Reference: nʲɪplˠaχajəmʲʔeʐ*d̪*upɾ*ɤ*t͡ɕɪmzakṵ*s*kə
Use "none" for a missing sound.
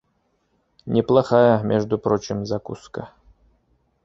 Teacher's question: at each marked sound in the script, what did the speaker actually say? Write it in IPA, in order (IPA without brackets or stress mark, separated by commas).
d̪, o, s